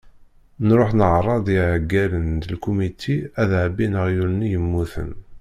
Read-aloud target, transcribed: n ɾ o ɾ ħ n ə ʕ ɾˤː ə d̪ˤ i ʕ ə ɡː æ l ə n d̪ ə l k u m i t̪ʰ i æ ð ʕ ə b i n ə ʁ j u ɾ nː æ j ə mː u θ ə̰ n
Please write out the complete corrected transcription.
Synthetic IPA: n ɾ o ħ n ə ʕ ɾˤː ɑ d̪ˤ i ʕ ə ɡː æ l ə n d̪ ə l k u m i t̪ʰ i æ ð ʕ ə b i n ə ʁ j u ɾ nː i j ə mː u θ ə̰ n